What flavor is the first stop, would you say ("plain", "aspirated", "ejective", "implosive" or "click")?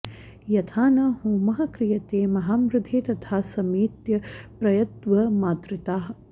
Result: aspirated